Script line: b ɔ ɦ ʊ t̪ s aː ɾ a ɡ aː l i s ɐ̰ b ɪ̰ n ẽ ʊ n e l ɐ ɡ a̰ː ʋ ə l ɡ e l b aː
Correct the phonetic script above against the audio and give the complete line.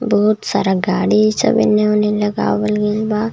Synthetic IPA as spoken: b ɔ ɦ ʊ t̪ s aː ɾ a ɡ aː ɽ i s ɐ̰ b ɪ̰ n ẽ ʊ n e l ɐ ɡ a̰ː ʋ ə l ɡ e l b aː